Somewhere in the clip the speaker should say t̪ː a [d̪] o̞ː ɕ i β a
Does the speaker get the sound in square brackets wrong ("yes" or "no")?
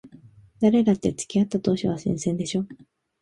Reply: yes